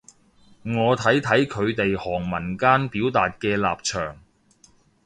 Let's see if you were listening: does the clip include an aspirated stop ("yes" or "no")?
yes